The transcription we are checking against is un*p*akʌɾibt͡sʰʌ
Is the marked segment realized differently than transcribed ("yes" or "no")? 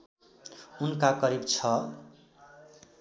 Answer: yes